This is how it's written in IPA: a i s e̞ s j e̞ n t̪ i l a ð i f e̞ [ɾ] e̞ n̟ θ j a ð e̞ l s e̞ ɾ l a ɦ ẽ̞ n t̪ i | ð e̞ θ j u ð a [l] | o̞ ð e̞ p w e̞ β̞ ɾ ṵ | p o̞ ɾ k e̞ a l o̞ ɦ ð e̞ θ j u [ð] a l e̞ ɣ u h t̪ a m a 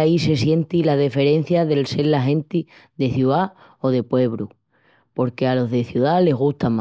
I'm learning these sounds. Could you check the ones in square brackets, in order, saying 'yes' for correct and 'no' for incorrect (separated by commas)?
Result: yes, no, yes